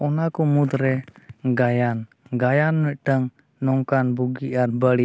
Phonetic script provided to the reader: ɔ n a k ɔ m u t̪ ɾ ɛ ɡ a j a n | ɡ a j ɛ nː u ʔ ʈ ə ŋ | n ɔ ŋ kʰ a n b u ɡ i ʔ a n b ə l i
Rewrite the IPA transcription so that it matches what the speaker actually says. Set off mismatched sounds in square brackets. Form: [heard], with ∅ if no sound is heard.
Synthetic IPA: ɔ n a k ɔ m u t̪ ɾ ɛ ɡ a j a n | ɡ a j [a] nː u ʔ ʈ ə ŋ | n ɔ ŋ [k] a n b u ɡ i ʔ a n b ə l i